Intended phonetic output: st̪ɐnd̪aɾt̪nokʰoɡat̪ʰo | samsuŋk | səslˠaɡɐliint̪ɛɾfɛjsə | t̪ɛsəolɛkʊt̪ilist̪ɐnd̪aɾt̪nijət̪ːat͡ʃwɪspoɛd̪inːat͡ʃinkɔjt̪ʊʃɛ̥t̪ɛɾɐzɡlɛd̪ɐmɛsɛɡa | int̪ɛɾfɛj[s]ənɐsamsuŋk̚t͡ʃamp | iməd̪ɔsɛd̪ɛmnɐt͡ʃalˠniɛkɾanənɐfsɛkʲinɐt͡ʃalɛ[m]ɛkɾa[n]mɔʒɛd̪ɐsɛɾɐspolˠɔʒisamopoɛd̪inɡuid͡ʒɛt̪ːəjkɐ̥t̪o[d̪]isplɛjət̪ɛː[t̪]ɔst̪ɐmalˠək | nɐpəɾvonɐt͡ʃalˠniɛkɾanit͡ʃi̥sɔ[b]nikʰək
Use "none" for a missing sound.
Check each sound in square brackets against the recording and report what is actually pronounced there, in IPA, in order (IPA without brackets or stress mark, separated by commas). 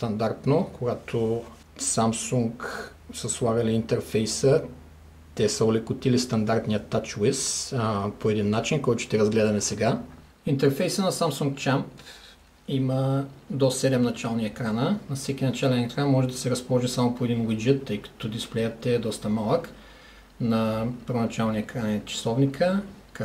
s, n, n, d̪, d̪, v